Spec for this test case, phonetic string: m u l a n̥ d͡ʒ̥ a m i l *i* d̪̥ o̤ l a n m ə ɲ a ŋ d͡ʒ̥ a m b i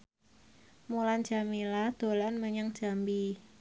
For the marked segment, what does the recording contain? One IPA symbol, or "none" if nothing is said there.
a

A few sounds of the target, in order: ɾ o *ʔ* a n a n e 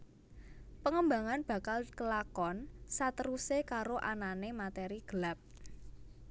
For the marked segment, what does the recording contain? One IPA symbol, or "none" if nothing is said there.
ʔ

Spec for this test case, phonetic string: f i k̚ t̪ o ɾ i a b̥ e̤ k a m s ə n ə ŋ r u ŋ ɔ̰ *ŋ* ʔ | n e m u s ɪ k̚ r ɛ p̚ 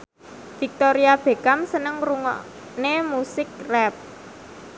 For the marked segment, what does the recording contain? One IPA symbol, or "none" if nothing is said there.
none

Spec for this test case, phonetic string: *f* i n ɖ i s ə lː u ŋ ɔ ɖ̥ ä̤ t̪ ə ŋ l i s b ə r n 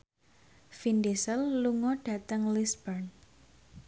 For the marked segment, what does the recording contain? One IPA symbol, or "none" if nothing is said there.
f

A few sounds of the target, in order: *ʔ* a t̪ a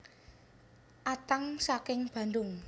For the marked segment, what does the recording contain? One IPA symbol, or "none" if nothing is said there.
ʔ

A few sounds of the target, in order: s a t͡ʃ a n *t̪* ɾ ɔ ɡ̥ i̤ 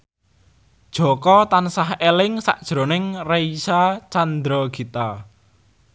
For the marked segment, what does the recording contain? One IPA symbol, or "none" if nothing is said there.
d̪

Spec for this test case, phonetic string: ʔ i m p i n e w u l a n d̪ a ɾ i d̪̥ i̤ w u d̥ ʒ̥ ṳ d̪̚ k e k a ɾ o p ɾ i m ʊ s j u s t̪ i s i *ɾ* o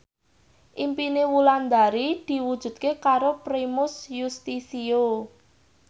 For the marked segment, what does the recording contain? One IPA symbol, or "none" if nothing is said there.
none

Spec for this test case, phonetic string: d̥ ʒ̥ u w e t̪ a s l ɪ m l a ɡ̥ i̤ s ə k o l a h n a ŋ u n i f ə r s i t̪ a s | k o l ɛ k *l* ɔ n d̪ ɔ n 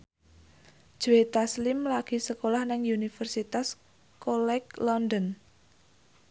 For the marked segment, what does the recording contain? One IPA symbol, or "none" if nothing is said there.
l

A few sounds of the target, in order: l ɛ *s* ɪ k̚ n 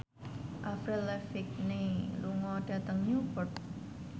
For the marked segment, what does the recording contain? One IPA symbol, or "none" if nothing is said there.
f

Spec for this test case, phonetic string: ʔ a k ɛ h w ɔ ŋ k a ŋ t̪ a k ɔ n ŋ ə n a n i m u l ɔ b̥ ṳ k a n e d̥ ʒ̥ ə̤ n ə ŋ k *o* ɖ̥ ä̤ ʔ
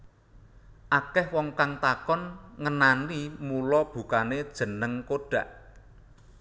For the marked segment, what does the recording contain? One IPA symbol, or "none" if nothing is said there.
o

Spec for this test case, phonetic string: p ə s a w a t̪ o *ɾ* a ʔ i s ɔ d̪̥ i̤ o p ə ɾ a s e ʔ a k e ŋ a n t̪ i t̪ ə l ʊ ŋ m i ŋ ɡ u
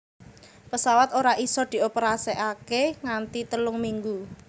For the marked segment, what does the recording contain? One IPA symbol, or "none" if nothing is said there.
ɾ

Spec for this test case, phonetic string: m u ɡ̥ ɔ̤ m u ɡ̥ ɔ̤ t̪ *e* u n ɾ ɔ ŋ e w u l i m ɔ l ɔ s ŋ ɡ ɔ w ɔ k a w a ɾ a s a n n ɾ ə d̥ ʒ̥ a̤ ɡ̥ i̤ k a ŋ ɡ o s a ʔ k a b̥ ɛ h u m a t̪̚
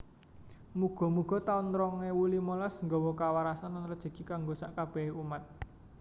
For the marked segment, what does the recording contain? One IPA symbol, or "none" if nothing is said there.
a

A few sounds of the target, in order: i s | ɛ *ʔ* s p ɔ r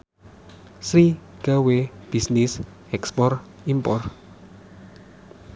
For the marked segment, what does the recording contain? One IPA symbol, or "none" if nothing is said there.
k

